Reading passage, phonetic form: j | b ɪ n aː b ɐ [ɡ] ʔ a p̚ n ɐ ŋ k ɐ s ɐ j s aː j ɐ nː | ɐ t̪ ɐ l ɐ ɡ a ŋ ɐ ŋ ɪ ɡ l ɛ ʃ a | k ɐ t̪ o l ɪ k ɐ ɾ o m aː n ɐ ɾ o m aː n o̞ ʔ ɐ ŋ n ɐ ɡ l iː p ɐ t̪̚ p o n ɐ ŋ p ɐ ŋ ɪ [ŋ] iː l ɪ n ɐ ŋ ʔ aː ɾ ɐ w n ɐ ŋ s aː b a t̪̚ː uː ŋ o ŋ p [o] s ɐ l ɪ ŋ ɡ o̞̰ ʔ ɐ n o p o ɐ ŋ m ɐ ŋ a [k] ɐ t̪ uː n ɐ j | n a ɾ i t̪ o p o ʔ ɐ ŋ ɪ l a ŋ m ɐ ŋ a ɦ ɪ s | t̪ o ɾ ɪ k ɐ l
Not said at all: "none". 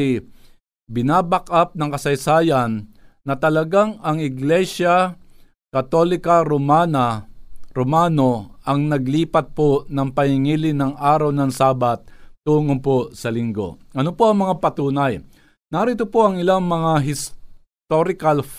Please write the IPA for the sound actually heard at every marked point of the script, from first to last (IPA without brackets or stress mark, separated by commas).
k, ŋ, o, p